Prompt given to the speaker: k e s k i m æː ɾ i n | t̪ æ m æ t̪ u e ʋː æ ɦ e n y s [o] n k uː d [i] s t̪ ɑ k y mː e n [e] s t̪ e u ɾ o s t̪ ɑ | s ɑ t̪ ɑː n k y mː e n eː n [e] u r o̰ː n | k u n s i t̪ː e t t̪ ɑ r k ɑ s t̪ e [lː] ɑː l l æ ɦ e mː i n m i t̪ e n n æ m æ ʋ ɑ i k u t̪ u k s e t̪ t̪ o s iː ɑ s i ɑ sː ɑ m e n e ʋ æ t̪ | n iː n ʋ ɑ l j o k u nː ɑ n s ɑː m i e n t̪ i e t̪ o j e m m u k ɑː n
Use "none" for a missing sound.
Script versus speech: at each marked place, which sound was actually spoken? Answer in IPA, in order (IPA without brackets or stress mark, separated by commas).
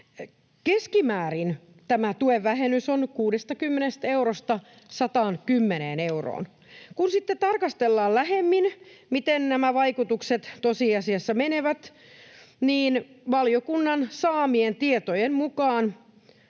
o, e, e, e, lː